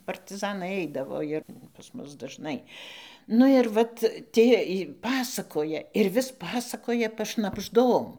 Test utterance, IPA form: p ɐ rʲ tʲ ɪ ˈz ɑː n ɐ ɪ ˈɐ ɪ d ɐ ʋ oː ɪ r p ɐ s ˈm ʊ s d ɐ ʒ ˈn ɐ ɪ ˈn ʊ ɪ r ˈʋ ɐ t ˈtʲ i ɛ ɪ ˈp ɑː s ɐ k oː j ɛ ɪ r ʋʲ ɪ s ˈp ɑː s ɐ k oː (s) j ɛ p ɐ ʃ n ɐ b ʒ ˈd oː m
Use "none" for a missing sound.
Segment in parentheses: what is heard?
none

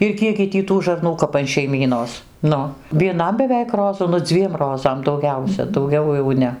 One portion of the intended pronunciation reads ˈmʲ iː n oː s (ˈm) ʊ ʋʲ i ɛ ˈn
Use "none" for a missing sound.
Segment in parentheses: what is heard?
n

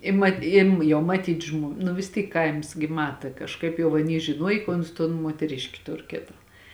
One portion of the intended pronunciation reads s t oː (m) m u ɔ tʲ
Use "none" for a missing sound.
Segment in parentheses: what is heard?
n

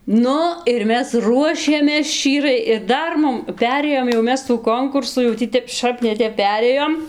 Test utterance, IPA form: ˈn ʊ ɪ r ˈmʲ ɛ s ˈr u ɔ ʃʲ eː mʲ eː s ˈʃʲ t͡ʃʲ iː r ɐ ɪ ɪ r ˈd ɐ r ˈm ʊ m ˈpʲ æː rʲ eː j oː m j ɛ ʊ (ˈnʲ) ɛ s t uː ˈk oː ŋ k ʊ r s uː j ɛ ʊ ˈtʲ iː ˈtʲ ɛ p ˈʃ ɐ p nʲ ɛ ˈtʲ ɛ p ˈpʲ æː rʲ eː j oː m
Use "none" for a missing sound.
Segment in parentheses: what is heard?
mʲ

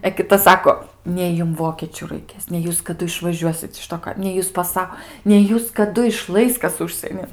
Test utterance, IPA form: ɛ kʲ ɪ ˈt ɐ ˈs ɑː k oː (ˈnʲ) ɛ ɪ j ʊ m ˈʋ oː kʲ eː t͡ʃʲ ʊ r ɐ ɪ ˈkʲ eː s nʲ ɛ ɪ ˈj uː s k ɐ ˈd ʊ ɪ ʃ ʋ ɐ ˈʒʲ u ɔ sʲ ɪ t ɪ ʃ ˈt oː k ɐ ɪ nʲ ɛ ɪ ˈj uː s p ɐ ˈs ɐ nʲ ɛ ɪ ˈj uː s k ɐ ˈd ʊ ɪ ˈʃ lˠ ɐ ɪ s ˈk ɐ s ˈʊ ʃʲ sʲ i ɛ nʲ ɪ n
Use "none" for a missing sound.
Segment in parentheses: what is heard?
nʲ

